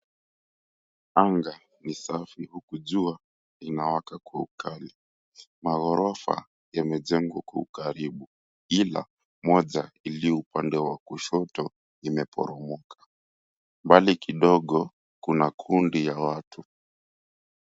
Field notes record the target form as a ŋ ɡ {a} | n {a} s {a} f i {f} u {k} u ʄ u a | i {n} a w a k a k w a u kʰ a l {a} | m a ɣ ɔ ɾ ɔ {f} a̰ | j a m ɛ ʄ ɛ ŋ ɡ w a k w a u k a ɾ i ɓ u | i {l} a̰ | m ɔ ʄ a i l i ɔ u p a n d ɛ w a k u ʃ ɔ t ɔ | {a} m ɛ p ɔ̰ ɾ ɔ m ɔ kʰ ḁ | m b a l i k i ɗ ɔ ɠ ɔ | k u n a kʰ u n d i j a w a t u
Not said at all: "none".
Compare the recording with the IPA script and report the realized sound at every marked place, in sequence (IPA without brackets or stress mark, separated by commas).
a, i, a, h, k, n, i, f, l, i